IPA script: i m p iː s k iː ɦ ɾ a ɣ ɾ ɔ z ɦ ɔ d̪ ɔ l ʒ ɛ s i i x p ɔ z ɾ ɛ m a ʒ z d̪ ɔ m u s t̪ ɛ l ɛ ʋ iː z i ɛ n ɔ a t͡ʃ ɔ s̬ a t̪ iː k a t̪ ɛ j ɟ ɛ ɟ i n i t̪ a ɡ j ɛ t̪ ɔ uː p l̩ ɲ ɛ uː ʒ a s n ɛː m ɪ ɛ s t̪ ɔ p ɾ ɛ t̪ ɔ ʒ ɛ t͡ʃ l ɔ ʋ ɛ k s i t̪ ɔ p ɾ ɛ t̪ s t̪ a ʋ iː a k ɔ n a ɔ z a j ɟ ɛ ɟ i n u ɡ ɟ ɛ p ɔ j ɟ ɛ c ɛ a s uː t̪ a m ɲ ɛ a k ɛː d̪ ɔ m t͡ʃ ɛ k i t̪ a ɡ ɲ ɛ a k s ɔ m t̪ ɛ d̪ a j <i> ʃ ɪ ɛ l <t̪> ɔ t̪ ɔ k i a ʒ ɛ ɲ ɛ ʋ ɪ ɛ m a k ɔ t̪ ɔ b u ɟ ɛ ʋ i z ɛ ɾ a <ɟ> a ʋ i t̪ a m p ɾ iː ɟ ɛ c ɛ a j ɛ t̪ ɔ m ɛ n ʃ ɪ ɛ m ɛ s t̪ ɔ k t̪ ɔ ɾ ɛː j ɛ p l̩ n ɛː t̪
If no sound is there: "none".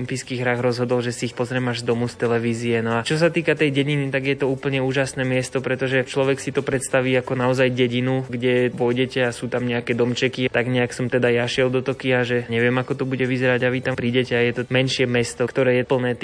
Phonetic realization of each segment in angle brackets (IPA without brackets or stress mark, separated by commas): a, d̪, ɟ